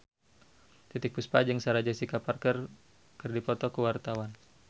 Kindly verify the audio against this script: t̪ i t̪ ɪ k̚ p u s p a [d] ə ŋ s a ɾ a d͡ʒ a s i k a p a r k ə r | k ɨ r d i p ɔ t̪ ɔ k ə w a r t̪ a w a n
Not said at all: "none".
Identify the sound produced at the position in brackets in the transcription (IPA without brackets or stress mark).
d͡ʒ